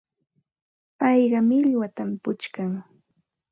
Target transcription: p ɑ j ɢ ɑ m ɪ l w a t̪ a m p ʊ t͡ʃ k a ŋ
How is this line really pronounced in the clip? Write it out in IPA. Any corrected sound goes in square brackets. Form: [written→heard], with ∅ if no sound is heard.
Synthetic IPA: p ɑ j ɢ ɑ m ɪ [l→ʎ] w a t̪ a m p ʊ t͡ʃ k a ŋ